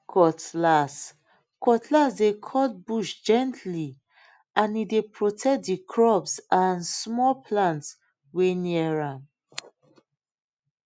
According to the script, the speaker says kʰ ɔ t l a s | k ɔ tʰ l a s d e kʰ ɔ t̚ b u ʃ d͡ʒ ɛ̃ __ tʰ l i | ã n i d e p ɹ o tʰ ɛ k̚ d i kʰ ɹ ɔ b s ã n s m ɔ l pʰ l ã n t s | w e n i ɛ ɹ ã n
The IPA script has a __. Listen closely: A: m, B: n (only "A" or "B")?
B